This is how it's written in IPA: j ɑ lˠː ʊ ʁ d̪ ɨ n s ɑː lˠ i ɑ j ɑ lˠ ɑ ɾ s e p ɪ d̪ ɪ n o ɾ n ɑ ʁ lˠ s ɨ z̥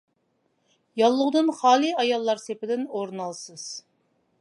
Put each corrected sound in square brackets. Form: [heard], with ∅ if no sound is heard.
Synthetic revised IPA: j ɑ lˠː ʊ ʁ d̪ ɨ n [χ] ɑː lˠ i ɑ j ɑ [lˠː] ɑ ɾ s e p ɪ d̪ ɪ n o ɾ n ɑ [∅] lˠ s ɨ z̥